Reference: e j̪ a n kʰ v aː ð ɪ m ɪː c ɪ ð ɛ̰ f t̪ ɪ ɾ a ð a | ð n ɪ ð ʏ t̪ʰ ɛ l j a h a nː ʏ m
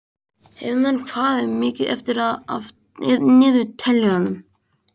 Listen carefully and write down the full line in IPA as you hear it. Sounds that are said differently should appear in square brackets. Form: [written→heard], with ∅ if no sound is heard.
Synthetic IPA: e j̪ a n kʰ v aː ð ɪ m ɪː c ɪ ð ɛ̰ f t̪ ɪ ɾ a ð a | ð n [ɪ→ɪː] ð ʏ t̪ʰ ɛ l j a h a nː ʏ m